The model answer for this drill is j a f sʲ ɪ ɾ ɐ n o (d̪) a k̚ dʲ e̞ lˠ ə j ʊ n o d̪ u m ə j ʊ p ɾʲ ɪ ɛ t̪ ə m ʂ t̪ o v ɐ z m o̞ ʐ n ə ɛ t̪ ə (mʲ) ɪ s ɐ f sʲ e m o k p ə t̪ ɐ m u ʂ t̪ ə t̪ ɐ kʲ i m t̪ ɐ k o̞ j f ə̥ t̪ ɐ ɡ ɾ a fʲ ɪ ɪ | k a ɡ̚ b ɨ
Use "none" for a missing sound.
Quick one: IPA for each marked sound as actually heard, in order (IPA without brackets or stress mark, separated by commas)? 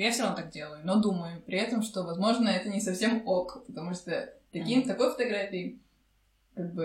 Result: t̪, nʲ